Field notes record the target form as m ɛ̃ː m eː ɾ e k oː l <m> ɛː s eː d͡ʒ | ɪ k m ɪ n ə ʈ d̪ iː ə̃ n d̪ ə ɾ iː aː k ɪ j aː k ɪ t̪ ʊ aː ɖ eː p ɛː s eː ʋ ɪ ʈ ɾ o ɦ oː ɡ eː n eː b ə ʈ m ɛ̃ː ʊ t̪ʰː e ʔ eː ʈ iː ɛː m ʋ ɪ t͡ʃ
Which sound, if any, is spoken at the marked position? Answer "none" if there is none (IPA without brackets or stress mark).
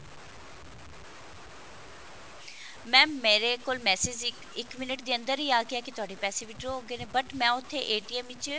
m